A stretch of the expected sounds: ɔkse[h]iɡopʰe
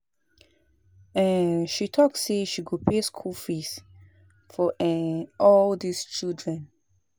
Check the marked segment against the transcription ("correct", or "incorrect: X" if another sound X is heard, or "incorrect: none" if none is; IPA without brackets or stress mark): incorrect: ʃ